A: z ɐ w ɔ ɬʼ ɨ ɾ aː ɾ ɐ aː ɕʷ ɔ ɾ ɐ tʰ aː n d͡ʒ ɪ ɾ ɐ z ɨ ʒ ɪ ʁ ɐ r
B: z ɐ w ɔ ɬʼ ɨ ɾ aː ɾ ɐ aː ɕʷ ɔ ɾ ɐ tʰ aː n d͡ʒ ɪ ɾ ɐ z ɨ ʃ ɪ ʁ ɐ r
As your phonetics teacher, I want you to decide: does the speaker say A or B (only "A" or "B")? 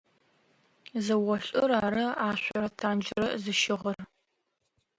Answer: B